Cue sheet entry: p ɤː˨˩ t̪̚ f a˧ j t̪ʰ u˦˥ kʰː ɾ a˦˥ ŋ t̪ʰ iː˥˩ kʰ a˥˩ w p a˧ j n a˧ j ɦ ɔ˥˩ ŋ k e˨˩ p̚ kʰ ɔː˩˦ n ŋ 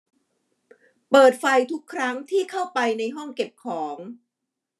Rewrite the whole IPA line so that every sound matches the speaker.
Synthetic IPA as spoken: p ɤː˨˩ t̪̚ f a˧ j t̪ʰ u˦˥ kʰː ɾ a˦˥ ŋ t̪ʰ iː˥˩ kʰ a˥˩ w p a˧ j n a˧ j ɦ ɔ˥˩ ŋ k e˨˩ p̚ kʰ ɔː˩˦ ŋ